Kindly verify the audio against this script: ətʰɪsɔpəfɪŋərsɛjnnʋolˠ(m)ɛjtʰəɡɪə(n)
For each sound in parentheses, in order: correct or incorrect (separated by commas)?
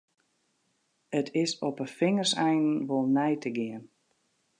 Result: incorrect, correct